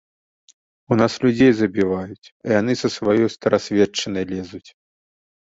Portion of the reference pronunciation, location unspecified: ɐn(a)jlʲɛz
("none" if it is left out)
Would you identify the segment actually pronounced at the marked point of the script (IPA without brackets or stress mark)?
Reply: ɐ